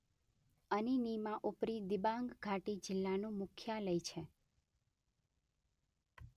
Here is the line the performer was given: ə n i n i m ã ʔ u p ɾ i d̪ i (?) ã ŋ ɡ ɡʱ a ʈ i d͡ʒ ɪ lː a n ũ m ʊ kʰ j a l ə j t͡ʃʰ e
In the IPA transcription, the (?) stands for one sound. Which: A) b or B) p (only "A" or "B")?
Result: A